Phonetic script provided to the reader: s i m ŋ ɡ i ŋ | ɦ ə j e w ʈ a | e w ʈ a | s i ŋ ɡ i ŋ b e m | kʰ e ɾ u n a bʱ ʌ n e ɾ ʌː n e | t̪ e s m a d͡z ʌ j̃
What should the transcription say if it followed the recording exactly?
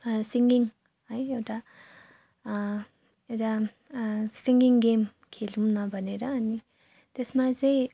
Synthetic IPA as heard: s i ŋ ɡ i ŋ | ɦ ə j e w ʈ a | e w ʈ a | s i ŋ ɡ i ŋ ɡ e m | kʰ e l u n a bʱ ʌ n e ɾ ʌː n i | t̪ e s m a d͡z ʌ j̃